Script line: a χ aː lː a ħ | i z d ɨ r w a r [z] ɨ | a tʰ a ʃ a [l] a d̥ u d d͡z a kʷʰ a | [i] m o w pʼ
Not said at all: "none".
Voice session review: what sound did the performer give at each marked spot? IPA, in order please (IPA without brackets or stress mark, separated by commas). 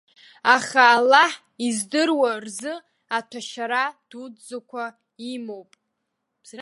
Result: z, ɾ, i